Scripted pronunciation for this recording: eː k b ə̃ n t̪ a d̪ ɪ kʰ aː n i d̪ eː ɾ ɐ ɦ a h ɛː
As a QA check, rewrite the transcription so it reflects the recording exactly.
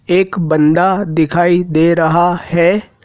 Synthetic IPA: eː k b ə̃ n d̪ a d̪ ɪ kʰ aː i d̪ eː ɾ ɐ ɦ a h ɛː